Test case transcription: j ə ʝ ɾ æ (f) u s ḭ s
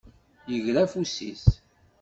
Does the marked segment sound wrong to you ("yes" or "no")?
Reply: no